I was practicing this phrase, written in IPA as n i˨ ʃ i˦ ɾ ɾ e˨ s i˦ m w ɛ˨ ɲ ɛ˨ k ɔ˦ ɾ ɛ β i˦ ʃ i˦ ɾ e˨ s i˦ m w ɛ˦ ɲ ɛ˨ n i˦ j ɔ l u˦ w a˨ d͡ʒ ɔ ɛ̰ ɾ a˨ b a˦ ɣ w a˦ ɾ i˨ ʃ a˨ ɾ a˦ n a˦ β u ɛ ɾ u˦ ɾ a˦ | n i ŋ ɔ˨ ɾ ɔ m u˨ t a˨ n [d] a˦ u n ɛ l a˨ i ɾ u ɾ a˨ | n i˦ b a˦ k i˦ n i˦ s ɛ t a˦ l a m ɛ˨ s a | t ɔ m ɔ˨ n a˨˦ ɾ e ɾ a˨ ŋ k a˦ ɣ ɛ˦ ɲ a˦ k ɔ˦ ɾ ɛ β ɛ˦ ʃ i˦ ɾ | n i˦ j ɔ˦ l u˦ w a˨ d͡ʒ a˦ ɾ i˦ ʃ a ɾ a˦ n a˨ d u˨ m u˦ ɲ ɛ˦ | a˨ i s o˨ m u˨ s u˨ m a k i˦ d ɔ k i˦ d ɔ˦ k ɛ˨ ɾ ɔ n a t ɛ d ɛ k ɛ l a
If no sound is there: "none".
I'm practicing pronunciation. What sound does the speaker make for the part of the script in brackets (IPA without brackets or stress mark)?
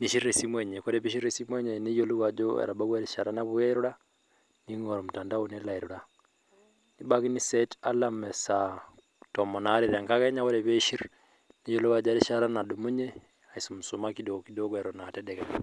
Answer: d